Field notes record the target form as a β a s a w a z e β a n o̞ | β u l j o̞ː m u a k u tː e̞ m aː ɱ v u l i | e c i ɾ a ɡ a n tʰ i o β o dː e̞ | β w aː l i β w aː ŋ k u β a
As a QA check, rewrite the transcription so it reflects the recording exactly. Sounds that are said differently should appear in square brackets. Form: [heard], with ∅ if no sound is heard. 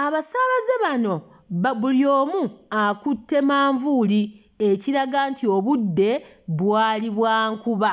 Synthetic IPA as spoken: a β a s a [β] a z e β a n o̞ | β u l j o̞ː m u a k u tː e̞ m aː ɱ v u l i | e c i ɾ a ɡ a n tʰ i o β [u] dː e̞ | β w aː l i β w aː ŋ k u β a